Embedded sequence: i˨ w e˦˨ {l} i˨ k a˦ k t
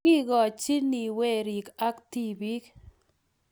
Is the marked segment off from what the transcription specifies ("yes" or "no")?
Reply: yes